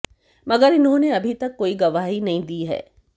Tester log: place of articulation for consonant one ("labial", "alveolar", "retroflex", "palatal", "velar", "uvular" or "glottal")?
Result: labial